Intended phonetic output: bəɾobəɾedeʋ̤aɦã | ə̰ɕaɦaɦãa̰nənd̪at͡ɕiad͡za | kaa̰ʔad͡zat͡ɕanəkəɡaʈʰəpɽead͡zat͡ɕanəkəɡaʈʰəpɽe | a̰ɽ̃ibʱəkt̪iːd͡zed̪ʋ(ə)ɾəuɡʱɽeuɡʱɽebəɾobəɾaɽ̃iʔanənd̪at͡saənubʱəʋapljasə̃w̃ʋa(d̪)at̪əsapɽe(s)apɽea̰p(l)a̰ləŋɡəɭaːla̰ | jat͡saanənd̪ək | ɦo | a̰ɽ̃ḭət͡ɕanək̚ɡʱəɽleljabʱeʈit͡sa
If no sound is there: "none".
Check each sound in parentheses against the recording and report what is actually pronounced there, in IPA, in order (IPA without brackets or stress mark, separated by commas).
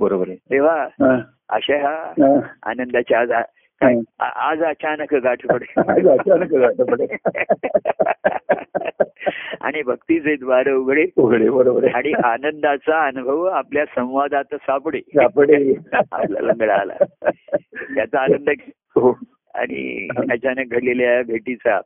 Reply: a, d̪, s, l